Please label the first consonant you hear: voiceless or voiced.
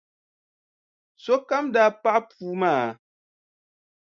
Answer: voiceless